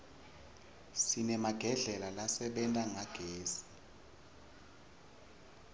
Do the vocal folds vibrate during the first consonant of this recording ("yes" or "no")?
no